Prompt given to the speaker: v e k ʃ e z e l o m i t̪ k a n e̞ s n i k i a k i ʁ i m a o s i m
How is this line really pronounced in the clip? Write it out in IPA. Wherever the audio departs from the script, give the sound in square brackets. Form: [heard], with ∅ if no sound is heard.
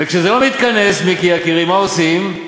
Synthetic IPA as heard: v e k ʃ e z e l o m i t̪ k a n e̞ s [m] i k i a k i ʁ i m a o s i m